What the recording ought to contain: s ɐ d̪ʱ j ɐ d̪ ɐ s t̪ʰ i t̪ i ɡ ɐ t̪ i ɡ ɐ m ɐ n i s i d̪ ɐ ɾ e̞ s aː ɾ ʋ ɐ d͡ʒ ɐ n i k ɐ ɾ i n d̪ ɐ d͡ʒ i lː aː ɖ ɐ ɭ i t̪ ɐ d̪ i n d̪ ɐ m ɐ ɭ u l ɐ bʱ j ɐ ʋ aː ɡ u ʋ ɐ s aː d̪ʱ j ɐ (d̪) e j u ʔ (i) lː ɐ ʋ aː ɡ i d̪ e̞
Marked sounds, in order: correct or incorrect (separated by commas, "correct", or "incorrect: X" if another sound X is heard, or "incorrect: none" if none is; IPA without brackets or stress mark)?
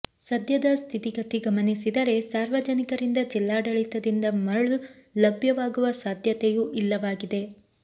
incorrect: t̪, correct